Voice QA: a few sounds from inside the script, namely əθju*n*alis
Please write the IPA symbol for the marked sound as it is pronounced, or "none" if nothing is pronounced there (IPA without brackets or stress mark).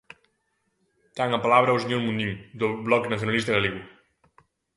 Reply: n